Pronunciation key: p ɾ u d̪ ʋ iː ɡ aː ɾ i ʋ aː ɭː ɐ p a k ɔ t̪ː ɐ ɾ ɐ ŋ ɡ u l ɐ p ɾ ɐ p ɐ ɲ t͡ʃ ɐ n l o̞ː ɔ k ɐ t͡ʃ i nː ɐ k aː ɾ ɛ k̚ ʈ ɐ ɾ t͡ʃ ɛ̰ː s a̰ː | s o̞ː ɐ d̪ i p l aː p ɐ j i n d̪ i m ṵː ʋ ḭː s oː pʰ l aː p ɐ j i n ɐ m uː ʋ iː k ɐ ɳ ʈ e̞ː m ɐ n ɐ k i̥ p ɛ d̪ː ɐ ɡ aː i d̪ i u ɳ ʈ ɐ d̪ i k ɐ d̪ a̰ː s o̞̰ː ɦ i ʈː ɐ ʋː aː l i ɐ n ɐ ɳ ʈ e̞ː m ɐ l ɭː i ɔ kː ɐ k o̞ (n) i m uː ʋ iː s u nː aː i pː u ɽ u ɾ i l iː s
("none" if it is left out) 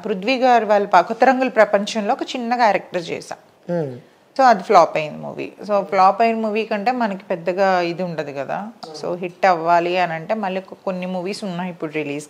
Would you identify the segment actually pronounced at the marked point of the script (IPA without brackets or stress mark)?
nː